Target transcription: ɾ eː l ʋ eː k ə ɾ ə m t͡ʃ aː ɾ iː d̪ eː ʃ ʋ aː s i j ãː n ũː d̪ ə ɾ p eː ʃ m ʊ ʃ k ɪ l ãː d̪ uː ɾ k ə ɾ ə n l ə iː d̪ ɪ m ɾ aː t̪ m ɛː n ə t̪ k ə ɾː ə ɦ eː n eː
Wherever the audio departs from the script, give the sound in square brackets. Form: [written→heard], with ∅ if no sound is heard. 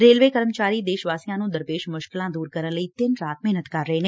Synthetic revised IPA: ɾ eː l ʋ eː k ə ɾ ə m t͡ʃ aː ɾ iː d̪ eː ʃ ʋ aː s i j ãː n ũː d̪ ə ɾ p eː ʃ m ʊ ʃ k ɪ l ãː d̪ uː ɾ k ə ɾ ə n l ə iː [d̪→t̪] ɪ [m→n] ɾ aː t̪ m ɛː n ə t̪ k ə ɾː ə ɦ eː n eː